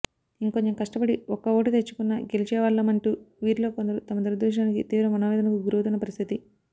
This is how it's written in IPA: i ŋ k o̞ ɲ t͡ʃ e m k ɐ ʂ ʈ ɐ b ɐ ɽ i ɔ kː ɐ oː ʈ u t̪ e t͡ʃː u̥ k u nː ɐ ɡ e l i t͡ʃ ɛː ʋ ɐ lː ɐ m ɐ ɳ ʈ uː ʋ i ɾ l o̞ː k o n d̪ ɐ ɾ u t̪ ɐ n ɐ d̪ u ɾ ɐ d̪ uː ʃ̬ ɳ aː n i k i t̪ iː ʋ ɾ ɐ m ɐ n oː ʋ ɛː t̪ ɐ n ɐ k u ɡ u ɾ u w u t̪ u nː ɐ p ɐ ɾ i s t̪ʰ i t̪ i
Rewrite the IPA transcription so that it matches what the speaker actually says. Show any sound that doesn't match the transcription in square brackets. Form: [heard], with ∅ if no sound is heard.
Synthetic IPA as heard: i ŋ k o̞ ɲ t͡ʃ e m k ɐ ʂ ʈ ɐ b ɐ ɽ i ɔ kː ɐ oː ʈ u t̪ e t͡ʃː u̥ k u nː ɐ ɡ e l i t͡ʃ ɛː ʋ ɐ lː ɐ m ɐ ɳ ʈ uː ʋ [iː] ɾ l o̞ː k o n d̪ ɐ ɾ u t̪ ɐ [m] ɐ d̪ u ɾ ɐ d̪ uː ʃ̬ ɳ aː n i k i t̪ iː ʋ ɾ ɐ m ɐ n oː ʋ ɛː [d̪] ɐ n ɐ k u ɡ u ɾ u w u t̪ u nː ɐ p ɐ ɾ i s t̪ʰ i t̪ i